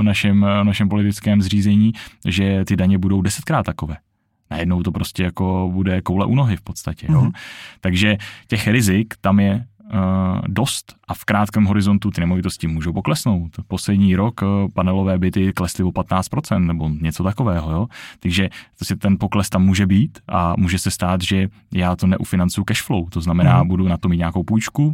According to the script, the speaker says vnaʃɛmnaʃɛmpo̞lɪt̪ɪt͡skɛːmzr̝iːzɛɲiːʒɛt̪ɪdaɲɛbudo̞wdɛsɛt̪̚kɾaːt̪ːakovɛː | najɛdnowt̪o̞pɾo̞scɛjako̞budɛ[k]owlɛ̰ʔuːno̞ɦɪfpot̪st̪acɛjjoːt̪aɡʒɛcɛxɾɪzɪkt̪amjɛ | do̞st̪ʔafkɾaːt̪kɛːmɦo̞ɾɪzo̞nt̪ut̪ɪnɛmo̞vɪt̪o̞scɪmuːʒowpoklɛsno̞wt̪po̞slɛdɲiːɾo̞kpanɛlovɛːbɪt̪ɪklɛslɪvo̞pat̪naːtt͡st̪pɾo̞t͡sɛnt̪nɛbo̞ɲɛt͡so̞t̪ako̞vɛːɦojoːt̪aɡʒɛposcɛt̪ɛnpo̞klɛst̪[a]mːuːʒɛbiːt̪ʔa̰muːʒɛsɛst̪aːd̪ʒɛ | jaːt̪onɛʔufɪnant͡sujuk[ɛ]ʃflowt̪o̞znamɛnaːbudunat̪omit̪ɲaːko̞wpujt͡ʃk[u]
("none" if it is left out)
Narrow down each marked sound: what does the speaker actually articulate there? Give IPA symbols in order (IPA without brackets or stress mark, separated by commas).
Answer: k, a, ɛ, u